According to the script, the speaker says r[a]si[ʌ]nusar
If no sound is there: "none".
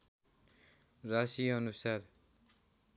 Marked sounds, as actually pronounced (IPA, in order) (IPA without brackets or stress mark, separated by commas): a, ʌ